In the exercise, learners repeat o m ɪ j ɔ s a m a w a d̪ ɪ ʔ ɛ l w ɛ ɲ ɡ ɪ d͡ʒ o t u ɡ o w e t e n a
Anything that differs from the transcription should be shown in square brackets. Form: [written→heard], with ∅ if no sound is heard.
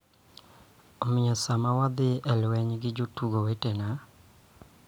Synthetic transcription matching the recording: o m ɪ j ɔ s a m a w a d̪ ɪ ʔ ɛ l w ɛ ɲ ɡ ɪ d͡ʒ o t u ɡ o w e t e n a

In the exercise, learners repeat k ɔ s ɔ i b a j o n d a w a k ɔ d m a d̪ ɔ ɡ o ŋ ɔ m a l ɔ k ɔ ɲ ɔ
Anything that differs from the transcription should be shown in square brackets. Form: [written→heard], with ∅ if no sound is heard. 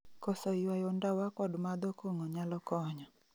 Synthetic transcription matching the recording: k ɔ s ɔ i [b→w] a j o n d a w a k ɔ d m a d̪ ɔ [ɡ→k] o ŋ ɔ [m→ɲ] a l ɔ k ɔ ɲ ɔ

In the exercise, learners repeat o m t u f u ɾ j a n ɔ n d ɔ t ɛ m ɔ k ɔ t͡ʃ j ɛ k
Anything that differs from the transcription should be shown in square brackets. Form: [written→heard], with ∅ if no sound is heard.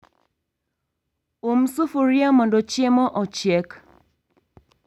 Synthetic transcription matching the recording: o m [t→s] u f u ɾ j a [n→m] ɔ n d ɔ [t→t͡ʃ] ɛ m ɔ [k→ʔ] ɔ t͡ʃ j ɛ k

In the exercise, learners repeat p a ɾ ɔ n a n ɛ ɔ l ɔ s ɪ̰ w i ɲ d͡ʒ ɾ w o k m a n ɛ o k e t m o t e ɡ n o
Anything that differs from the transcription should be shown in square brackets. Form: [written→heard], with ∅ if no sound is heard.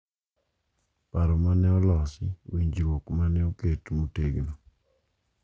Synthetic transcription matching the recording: p a ɾ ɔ [n→m] a n ɛ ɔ l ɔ s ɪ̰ w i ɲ d͡ʒ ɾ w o k m a n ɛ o k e t m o t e ɡ n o

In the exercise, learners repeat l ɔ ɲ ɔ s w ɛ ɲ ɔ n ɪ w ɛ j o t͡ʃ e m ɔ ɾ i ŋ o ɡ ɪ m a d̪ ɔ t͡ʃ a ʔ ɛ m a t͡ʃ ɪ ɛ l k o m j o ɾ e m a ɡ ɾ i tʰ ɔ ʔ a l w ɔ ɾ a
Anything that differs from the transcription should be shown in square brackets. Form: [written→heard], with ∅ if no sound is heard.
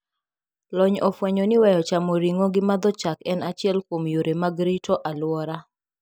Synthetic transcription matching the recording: l ɔ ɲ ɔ [s→f] w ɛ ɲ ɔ n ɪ w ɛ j [o→ɔ] t͡ʃ [e→a] m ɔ ɾ i ŋ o ɡ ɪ m a d̪ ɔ t͡ʃ a [ʔ→k] ɛ [m→n] a t͡ʃ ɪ ɛ l k o m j o ɾ e m a ɡ ɾ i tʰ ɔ ʔ a l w ɔ ɾ a

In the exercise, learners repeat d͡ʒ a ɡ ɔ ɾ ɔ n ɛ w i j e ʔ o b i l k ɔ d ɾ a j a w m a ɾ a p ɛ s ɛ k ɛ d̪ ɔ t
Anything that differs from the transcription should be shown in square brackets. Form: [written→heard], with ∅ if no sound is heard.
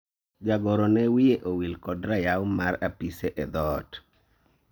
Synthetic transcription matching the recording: d͡ʒ a ɡ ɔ ɾ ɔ n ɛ w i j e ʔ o [b→w] i l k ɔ d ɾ a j a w m a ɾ a p [ɛ→i] s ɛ [k→ʔ] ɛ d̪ ɔ t

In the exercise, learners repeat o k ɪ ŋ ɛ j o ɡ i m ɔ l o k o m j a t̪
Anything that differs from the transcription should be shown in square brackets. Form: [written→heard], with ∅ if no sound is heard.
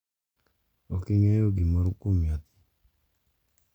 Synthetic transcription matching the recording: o k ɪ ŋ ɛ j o ɡ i m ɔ [l→ɾ] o k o m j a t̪

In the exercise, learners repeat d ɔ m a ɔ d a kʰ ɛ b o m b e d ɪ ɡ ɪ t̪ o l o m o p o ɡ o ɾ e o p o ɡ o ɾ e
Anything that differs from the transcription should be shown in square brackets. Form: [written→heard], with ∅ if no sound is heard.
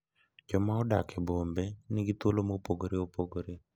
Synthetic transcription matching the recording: [d→d͡ʒ] ɔ m a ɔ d a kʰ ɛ b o m b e [d→n] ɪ ɡ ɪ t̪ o l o m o p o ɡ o ɾ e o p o ɡ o ɾ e

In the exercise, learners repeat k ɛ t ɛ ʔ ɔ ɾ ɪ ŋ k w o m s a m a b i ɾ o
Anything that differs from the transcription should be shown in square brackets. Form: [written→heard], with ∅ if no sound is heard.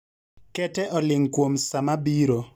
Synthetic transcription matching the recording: k ɛ t ɛ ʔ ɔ [ɾ→l] ɪ ŋ k w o m s a m a b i ɾ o

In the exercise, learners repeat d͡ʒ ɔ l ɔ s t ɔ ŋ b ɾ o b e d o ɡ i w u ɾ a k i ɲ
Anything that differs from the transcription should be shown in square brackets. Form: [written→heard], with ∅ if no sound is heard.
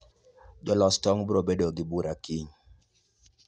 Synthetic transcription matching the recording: d͡ʒ ɔ l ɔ s t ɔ ŋ b ɾ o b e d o ɡ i [w→b] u ɾ a k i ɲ

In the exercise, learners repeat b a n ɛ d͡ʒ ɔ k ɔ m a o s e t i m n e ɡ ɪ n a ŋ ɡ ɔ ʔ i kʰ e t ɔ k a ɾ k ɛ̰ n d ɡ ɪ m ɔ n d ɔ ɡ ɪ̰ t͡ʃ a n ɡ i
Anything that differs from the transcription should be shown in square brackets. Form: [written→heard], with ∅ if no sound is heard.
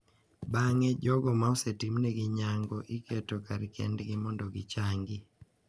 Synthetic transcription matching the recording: b a [n→ŋ] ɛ d͡ʒ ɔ [k→ɡ] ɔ m a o s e t i m n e ɡ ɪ [n→ɲ] a ŋ ɡ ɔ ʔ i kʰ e t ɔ k a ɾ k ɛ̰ n d ɡ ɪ m ɔ n d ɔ ɡ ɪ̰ t͡ʃ a [n→ŋ] ɡ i

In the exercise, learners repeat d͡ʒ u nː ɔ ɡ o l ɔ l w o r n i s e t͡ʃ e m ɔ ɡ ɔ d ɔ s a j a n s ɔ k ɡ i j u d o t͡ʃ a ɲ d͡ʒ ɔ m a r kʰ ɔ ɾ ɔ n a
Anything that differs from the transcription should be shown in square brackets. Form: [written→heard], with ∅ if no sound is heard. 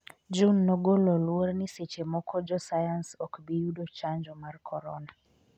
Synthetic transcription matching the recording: d͡ʒ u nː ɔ ɡ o l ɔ l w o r n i s e t͡ʃ e m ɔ [ɡ→k] ɔ [d→d͡ʒ] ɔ s a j a n s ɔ k [ɡ→b] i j u d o t͡ʃ a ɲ d͡ʒ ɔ m a r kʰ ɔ ɾ ɔ n a

